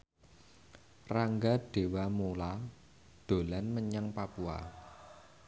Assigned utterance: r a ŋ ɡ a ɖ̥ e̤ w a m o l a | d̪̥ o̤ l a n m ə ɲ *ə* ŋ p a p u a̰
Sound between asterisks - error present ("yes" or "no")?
yes